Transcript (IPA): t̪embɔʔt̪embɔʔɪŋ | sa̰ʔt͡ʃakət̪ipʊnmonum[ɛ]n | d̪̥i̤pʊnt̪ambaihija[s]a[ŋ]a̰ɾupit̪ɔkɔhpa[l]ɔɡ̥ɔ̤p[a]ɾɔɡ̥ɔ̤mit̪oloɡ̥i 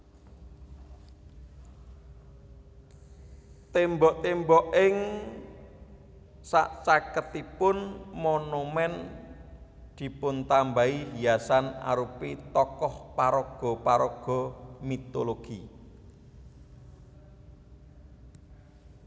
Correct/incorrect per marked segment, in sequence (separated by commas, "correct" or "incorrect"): correct, correct, incorrect, incorrect, correct